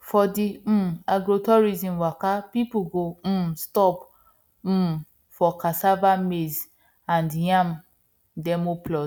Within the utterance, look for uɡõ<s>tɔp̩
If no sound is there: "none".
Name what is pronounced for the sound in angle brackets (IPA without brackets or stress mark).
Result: s